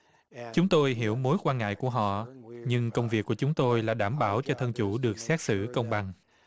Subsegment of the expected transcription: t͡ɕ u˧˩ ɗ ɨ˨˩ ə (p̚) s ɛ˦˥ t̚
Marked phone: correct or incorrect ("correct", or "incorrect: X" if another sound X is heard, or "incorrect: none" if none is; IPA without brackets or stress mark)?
incorrect: k̚